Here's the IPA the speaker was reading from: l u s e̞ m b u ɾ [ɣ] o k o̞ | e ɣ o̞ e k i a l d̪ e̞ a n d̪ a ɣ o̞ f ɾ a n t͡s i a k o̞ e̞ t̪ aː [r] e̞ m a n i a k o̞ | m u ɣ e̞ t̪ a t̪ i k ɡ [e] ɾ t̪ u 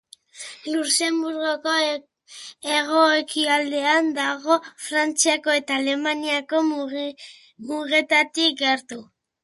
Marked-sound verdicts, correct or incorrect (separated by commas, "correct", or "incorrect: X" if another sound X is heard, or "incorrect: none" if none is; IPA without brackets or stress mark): correct, incorrect: l, correct